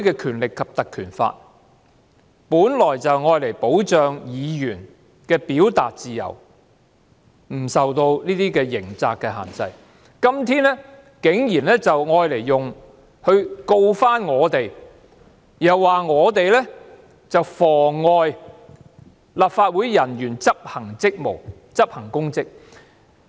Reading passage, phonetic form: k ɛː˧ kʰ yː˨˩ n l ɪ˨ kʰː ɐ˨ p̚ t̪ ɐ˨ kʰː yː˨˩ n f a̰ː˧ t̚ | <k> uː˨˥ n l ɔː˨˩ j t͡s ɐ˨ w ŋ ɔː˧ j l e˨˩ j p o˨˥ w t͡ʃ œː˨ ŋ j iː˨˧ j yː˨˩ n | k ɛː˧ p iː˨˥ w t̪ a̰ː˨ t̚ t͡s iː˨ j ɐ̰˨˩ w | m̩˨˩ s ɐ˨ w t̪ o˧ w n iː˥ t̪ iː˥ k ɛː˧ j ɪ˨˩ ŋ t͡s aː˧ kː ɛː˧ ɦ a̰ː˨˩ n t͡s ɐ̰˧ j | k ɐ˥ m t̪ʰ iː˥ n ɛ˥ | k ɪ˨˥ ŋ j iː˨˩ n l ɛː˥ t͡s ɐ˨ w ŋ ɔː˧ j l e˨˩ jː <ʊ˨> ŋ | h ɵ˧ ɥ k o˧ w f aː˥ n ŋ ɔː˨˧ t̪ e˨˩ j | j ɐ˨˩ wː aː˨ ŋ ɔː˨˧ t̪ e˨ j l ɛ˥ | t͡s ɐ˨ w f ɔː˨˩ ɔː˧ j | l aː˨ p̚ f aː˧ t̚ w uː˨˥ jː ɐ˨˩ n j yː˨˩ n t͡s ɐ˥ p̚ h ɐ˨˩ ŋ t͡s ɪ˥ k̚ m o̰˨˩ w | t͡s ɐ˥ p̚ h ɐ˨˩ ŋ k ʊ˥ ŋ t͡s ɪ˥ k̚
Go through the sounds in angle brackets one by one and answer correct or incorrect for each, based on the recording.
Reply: incorrect, correct

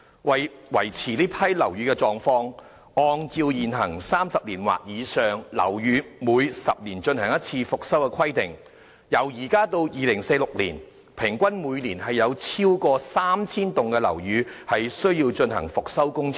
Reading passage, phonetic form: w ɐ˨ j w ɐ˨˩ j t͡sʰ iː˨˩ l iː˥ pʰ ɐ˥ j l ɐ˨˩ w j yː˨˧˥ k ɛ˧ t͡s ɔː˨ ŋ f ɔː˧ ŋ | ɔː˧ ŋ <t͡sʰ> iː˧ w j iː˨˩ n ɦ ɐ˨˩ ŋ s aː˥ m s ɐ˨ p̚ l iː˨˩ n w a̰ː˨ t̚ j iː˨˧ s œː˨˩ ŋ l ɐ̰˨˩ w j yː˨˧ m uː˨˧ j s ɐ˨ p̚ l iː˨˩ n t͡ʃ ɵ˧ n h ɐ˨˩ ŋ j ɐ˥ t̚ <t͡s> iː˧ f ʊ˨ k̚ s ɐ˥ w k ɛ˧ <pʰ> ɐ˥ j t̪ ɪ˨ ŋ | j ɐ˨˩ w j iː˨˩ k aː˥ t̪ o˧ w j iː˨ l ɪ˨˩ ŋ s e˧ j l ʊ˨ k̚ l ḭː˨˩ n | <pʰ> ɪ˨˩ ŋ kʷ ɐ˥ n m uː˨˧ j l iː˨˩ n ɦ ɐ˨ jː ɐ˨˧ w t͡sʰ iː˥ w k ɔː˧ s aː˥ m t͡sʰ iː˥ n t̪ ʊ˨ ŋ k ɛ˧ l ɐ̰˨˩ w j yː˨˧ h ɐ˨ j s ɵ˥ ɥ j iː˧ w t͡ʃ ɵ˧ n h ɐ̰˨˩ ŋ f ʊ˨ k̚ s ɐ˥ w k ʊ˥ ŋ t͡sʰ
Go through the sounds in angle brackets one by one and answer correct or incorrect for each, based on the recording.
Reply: incorrect, incorrect, incorrect, correct

